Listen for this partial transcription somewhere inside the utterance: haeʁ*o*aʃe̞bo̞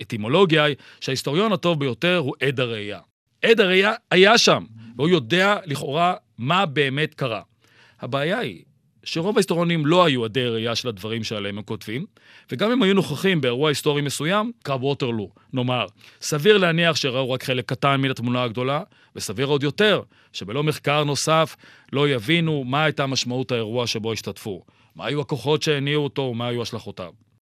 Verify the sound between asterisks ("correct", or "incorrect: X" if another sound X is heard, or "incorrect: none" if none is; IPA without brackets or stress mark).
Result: incorrect: u